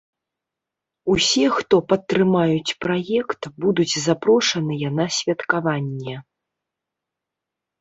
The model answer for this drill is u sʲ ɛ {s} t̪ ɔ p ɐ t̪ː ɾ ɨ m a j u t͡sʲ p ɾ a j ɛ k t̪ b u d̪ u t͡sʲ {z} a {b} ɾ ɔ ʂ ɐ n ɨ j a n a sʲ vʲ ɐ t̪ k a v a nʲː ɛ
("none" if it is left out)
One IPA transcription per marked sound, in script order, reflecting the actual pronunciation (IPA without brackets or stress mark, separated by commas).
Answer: x, z, p